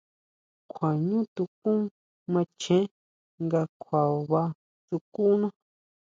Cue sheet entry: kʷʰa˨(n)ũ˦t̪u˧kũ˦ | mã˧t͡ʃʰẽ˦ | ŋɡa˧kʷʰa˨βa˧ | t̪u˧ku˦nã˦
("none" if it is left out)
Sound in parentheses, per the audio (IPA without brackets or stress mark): ɲ